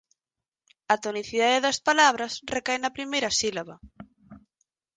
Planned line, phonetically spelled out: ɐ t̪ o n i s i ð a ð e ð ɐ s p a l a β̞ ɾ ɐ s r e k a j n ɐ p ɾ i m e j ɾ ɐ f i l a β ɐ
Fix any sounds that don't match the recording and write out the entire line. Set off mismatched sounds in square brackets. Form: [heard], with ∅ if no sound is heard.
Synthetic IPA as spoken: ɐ t̪ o n i [θ] i ð a ð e ð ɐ s p a l a β̞ ɾ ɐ s r e k a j n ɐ p ɾ i m e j ɾ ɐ [s] i l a β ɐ